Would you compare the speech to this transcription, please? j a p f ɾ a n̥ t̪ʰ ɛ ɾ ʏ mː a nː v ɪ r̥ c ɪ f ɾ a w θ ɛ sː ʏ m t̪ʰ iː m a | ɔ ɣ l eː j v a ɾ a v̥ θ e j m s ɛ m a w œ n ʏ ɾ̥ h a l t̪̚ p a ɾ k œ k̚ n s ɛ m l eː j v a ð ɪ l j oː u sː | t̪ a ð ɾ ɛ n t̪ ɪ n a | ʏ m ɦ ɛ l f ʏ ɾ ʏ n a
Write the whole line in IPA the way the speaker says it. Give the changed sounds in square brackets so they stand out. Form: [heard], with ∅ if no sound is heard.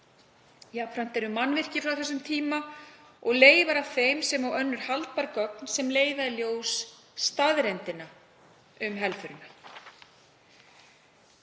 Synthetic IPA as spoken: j a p f ɾ a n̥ [t̪] ɛ ɾ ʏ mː a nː v ɪ r̥ c ɪ f ɾ a w θ ɛ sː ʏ m t̪ʰ iː m a | ɔ ɣ l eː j v a ɾ a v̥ θ e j m s ɛ m a w œ [nː] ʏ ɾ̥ h a l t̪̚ p a ɾ k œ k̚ n s ɛ m l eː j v a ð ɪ l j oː [w] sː | t̪ a ð ɾ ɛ n t̪ ɪ n a | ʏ m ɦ ɛ l f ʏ ɾ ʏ n a